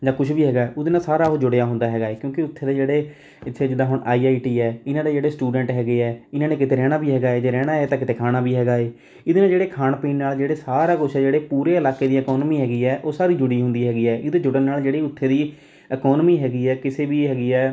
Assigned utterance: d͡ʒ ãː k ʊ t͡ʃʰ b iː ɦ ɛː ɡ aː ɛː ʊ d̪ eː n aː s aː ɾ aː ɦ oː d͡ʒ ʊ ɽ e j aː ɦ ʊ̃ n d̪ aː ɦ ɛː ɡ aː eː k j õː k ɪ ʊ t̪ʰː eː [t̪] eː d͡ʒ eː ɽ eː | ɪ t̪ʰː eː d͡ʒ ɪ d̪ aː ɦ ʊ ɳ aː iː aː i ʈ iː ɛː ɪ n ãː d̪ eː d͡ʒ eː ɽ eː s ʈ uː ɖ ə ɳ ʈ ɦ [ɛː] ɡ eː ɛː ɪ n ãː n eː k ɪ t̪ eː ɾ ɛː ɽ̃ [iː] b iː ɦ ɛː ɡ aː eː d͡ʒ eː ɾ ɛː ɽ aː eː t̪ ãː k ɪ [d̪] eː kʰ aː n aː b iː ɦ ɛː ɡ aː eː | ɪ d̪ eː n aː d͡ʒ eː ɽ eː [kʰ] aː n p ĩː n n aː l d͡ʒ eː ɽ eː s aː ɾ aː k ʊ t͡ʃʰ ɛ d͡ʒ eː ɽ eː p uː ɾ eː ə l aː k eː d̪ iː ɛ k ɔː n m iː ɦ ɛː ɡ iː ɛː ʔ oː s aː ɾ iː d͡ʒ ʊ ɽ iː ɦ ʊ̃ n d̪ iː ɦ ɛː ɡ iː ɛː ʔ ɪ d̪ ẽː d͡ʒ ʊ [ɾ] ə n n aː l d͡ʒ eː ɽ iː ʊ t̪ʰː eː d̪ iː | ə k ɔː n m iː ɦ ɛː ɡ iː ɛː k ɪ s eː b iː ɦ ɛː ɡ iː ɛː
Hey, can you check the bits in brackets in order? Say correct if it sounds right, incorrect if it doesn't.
incorrect: d̪, correct, incorrect: aː, incorrect: t̪, correct, incorrect: ɽ

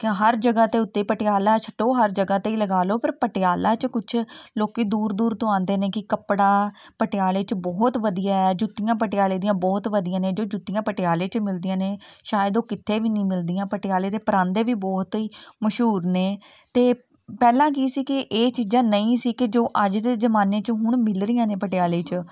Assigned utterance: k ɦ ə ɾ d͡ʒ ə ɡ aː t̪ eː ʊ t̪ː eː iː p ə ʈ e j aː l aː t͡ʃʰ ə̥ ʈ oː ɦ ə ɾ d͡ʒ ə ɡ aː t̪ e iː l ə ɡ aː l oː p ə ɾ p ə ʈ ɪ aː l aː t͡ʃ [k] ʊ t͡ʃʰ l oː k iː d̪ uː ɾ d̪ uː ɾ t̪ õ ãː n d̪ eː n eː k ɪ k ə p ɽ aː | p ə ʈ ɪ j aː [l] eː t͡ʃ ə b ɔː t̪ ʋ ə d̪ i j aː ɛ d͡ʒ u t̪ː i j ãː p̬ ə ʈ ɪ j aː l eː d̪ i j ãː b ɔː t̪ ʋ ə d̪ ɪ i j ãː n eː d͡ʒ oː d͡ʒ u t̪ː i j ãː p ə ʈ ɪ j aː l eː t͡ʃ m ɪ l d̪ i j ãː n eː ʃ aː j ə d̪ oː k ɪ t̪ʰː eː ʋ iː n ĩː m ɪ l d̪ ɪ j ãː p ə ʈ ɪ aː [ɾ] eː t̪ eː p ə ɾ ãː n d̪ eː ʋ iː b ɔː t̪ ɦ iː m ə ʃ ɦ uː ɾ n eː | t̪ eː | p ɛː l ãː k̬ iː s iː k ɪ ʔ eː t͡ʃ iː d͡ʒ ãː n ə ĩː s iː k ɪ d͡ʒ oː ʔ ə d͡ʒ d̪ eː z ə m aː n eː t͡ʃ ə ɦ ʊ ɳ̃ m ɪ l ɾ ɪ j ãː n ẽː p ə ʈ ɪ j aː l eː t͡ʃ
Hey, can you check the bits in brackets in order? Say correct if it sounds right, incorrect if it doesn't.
correct, correct, incorrect: l

